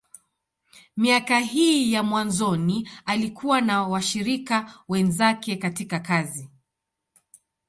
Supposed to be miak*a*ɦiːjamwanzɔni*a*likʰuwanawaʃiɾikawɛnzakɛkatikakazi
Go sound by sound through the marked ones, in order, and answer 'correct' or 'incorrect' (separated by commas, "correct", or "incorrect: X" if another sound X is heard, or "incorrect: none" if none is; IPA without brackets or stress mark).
correct, correct